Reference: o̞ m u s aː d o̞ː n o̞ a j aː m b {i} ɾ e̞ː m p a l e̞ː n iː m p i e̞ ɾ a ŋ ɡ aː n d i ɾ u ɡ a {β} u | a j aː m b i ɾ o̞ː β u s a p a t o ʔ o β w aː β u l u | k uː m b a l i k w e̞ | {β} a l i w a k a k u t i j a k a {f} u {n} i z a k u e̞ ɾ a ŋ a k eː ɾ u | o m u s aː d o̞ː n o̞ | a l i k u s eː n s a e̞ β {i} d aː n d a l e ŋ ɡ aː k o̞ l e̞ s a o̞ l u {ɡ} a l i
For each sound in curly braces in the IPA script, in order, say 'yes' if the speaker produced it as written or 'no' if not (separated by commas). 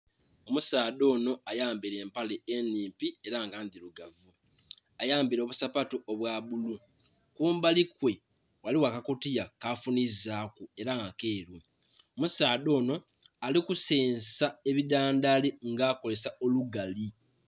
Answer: yes, no, no, yes, yes, yes, yes